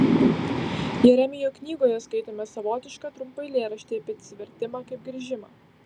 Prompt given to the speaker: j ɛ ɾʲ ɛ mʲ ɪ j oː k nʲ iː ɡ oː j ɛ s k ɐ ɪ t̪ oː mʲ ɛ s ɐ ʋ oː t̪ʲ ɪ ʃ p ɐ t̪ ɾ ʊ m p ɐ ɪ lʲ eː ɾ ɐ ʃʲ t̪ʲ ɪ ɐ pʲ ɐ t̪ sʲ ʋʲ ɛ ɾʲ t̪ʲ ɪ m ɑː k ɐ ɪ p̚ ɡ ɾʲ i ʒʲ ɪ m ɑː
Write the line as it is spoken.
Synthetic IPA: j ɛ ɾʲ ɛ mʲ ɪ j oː k nʲ iː ɡ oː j ɛ s k ɐ ɪ t̪ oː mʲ ɛ s ɐ ʋ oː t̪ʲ ɪ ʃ k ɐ t̪ ɾ ʊ m p ɐ ɪ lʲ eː ɾ ɐ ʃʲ t̪ʲ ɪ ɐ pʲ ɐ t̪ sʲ ʋʲ ɛ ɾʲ t̪ʲ ɪ m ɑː k ɐ ɪ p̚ ɡ ɾʲ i ʒʲ ɪ m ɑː